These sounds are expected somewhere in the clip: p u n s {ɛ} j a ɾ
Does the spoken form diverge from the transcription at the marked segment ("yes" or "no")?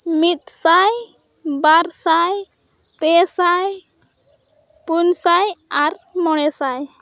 yes